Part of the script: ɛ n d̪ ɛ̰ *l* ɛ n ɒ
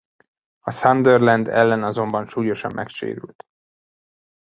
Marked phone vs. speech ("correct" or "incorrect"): incorrect